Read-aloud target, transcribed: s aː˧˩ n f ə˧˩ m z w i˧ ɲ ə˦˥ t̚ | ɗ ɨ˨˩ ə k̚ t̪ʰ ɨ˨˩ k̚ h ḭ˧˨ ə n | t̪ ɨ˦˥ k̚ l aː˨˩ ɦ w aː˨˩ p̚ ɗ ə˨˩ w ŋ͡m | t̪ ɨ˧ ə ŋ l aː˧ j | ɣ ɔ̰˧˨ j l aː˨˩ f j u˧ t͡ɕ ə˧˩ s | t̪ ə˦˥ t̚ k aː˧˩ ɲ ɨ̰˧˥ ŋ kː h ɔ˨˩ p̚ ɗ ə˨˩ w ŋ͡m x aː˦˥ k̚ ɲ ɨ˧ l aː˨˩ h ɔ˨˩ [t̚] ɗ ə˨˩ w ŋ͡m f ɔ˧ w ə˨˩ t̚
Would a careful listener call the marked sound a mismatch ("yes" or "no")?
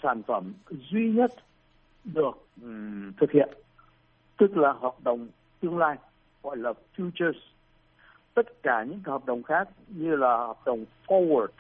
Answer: yes